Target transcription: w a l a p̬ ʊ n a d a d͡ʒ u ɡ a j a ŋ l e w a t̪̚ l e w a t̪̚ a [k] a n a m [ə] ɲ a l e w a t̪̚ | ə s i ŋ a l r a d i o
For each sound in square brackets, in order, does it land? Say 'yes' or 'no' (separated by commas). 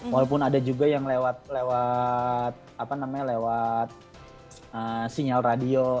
no, no